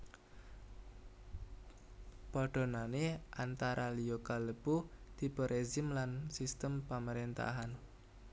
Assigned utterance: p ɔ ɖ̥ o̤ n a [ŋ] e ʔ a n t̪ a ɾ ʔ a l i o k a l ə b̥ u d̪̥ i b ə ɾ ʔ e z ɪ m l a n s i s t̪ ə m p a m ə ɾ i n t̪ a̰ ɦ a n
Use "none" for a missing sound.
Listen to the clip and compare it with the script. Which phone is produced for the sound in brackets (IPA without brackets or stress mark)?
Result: n